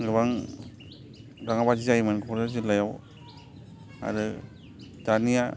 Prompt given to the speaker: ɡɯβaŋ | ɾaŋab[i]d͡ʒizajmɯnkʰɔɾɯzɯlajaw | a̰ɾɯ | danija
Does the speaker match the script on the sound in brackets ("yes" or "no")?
no